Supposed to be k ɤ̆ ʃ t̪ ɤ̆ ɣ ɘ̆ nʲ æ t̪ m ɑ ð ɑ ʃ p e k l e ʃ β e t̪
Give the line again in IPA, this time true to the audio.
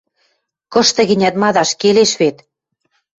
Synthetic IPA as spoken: k ɤ̆ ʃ t̪ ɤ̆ ɣ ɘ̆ nʲ æ t̪ m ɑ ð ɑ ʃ k e l e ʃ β e t̪

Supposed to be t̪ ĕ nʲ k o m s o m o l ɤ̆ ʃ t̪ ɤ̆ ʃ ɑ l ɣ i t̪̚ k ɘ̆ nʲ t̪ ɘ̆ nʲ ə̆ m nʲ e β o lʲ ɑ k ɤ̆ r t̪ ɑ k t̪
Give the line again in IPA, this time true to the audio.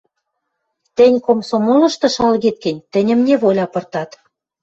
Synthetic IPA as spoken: t̪ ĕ nʲ k o m s o m o l ɤ̆ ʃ t̪ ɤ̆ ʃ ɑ l ɣ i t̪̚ k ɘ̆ nʲ t̪ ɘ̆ nʲ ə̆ m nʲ e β o lʲ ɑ p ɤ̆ r t̪ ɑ t̪

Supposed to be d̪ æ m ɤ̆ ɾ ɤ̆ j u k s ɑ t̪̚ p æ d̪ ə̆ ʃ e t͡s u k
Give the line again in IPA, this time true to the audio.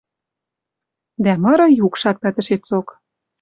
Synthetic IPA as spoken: d̪ æ m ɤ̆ ɾ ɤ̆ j u k ʃ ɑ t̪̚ p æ t̪ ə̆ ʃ e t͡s o k

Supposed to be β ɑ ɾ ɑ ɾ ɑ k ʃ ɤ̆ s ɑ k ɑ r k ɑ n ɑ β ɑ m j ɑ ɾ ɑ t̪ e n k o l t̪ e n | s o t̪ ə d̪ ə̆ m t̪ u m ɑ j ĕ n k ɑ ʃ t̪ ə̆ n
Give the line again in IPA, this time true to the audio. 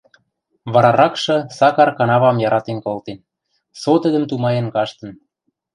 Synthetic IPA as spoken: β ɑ ɾ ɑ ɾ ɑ k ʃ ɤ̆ s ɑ k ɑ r k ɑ n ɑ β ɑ m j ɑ ɾ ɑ t̪ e n k o l t̪ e n | s o t̪ ə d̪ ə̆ m t̪ u m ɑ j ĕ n k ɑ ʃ t̪ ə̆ n

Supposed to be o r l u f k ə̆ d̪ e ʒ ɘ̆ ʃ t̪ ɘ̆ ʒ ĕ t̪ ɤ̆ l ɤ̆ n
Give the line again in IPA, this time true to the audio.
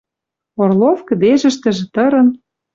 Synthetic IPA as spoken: o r l o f k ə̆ d̪ e ʒ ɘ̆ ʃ t̪ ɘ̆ ʒ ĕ t̪ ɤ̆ ɾ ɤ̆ n

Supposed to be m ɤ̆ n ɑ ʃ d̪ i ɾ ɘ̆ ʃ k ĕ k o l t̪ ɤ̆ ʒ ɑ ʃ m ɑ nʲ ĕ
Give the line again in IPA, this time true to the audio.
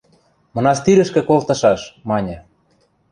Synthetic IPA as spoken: m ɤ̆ n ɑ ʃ t̪ i ɾ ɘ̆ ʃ k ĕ k o l t̪ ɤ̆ ʃ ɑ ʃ m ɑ nʲ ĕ

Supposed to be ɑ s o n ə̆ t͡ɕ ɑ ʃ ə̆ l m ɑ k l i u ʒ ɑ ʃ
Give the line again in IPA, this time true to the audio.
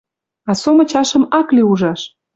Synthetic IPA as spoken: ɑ s o m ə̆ t͡ɕ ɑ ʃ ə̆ m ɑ k l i u ʒ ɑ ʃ

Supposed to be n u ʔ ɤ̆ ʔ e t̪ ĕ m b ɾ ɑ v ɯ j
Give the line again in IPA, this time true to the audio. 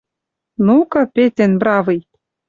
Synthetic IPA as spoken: n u k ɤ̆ p e t̪ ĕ n b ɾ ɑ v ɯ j

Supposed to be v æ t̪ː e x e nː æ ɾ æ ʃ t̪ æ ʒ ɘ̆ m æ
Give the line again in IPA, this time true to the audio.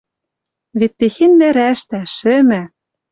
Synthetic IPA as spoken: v e t̪ː e x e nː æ ɾ æ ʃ t̪ æ ʃ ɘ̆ m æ

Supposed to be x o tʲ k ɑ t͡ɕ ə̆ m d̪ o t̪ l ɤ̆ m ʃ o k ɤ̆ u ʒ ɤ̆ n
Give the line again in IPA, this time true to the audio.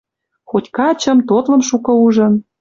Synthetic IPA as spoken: x o tʲ k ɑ t͡ɕ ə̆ m t̪ o t̪ l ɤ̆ m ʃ u k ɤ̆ u ʒ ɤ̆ n

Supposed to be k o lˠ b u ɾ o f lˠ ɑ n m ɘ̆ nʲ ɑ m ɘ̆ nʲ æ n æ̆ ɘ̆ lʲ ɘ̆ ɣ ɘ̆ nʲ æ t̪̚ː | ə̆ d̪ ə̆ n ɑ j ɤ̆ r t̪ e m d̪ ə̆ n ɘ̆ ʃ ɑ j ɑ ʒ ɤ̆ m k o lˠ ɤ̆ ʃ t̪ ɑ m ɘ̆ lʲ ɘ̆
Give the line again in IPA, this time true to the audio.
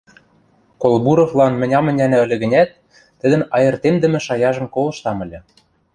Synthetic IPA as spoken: k o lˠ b u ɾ o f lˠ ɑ n m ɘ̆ nʲ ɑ m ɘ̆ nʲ æ n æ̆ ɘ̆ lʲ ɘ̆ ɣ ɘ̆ nʲ æ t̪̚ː | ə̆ d̪ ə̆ n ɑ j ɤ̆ r t̪ e m d̪ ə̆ m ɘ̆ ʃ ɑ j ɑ ʒ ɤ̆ m k o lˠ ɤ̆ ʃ t̪ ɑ m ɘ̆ lʲ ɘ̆

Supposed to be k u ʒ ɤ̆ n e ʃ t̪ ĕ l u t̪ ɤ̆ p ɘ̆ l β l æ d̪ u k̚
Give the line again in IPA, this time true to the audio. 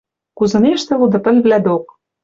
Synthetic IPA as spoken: k u z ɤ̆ n e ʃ t̪ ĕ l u d̪ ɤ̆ p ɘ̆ l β l æ d̪ o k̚

